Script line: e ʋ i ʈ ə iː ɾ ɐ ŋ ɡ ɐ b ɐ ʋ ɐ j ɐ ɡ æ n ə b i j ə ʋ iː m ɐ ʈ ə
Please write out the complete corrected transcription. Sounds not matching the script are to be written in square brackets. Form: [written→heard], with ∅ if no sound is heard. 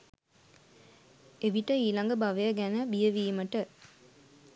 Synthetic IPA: e ʋ i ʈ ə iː [ɾ→l] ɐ ŋ ɡ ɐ b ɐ ʋ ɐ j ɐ ɡ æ n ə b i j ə ʋ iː m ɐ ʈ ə